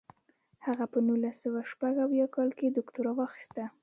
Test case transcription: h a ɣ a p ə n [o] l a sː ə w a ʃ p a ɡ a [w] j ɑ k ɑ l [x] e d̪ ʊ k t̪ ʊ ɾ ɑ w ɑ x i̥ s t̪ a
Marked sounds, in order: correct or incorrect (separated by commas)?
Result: incorrect, correct, incorrect